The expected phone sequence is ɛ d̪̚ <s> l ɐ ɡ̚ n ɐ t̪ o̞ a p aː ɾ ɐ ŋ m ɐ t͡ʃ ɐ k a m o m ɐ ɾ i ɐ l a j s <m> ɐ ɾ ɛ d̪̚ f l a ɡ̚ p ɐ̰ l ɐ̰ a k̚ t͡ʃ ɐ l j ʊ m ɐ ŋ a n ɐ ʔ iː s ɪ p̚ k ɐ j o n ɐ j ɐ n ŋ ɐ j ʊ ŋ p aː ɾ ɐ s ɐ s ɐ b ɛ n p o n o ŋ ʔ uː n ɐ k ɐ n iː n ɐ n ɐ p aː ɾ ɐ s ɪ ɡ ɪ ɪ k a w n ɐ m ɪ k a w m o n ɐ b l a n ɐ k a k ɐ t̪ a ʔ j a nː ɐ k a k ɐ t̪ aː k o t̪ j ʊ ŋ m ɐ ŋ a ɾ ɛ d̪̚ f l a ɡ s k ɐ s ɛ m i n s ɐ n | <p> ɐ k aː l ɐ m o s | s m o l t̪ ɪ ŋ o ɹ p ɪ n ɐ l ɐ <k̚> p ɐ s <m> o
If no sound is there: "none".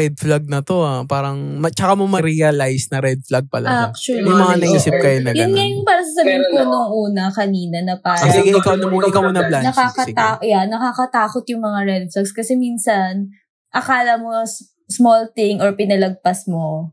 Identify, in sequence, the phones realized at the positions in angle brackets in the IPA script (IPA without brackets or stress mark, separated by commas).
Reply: f, n, ʔ, ɡ̚, m